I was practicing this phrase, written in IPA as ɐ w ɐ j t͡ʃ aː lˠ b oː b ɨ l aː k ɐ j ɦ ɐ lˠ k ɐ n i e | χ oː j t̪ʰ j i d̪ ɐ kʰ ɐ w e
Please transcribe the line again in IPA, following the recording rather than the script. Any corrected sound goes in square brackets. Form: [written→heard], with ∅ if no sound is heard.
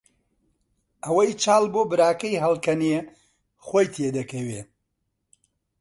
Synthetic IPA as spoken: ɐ w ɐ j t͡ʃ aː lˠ b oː b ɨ [l→ɾ] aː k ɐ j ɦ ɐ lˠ k ɐ n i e | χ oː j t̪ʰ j [i→e] d̪ ɐ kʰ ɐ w e